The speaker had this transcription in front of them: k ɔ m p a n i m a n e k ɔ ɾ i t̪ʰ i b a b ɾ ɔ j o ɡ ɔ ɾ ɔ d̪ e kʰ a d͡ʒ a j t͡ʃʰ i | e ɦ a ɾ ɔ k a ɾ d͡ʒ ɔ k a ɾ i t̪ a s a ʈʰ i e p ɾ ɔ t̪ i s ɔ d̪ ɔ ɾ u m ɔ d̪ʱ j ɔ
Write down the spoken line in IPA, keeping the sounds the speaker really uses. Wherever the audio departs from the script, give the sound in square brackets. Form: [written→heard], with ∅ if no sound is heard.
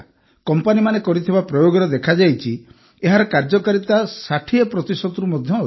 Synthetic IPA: k ɔ m p a n i m a n e k ɔ ɾ i t̪ʰ i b a [b→p] ɾ ɔ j o ɡ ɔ ɾ ɔ d̪ e kʰ a d͡ʒ a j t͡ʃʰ i | e ɦ a ɾ ɔ k a ɾ d͡ʒ ɔ k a ɾ i t̪ a s a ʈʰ i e p ɾ ɔ t̪ i s ɔ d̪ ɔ ɾ u m ɔ d̪ʱ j ɔ